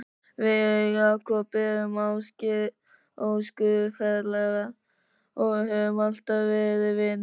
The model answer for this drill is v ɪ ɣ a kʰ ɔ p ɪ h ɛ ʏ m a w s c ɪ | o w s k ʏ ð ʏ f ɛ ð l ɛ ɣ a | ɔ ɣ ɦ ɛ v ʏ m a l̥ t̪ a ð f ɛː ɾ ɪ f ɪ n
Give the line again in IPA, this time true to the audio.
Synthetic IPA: v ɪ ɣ a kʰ ɔ p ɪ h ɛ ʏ m a w s c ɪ | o w s k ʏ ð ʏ f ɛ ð l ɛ ɣ a | ɔ ɣ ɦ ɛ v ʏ m a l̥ t̪ a ð v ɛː ɾ ɪ v ɪ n